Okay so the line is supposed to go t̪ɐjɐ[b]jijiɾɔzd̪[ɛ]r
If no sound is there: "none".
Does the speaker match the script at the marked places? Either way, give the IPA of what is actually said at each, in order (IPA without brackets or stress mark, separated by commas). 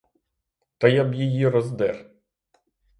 b, ɛ